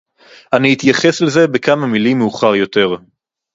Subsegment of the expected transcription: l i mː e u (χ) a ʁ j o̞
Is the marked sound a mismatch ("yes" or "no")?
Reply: no